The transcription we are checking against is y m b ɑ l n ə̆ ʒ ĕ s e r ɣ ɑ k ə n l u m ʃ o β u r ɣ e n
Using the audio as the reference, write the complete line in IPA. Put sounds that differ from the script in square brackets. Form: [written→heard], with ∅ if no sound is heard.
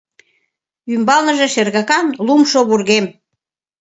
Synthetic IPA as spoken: y m b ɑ l n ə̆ ʒ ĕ [s→ʃ] e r ɣ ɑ k [ə→ɑ] n l u m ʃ o β u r ɣ e [n→m]